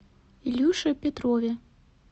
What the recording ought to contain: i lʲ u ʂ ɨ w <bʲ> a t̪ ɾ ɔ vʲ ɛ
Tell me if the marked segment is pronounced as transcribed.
no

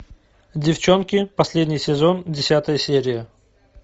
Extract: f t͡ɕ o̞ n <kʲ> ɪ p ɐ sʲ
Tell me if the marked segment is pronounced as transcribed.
yes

